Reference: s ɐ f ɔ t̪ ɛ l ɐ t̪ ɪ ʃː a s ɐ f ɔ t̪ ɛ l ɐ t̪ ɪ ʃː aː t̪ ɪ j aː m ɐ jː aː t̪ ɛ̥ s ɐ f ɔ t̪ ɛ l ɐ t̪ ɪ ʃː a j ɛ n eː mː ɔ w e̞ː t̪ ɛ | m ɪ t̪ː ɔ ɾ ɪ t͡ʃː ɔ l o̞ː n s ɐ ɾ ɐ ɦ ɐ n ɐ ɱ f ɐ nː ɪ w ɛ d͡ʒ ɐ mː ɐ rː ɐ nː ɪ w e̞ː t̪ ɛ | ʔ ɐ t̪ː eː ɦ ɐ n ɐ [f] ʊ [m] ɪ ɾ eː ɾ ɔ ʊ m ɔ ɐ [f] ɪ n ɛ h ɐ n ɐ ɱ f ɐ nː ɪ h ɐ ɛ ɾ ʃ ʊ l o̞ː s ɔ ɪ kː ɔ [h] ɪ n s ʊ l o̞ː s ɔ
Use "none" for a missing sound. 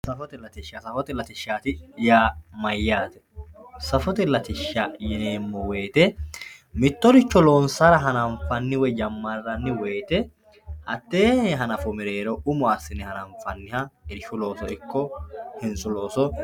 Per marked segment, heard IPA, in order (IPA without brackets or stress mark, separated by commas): f, m, s, h